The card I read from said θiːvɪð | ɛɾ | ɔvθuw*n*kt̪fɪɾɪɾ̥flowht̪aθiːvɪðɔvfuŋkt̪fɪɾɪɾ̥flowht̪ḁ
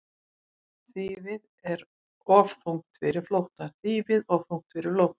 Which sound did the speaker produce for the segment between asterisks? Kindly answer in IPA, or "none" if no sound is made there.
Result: ŋ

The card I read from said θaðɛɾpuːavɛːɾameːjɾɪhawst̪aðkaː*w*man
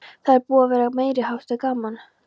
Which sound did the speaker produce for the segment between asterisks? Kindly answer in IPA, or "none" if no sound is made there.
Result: none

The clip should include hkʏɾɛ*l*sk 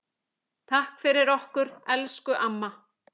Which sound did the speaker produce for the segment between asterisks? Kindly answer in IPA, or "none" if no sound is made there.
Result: l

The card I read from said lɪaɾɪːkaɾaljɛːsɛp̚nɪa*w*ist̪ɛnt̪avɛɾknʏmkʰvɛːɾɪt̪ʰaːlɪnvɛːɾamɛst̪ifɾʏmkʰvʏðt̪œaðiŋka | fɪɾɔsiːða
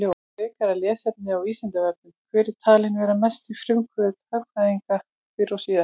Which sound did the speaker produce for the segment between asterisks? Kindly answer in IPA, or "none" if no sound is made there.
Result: w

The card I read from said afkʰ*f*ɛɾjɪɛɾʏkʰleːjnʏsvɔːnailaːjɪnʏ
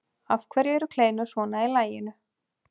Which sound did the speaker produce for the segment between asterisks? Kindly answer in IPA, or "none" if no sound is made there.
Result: v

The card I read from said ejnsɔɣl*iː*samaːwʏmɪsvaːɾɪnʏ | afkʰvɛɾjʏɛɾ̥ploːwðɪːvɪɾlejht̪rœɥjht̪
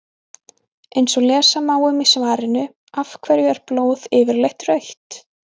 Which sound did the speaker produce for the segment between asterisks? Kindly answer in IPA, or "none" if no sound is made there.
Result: ɛː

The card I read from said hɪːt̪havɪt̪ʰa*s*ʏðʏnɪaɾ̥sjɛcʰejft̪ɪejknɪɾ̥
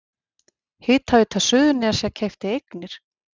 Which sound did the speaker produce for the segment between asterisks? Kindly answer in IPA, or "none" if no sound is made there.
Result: s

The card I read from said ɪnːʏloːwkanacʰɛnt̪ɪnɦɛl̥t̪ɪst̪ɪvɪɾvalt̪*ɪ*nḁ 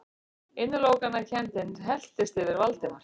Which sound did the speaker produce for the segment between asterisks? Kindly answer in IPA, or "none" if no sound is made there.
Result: ɪ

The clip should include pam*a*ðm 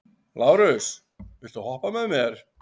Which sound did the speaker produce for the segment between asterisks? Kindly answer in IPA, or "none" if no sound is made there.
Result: ɛ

